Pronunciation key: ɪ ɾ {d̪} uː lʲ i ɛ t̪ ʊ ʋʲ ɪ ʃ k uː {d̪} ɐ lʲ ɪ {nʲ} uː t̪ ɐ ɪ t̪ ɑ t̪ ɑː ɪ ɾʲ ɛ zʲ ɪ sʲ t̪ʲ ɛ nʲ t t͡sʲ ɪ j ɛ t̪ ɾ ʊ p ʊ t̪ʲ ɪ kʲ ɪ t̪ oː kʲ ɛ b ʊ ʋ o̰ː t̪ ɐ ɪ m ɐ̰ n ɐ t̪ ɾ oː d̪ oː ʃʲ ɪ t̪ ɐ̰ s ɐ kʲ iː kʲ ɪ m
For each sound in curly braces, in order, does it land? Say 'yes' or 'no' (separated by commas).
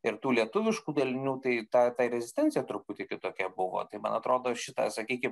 no, yes, yes